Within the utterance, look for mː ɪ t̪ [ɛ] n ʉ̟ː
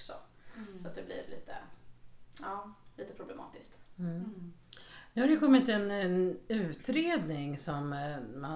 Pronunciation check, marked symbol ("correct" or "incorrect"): correct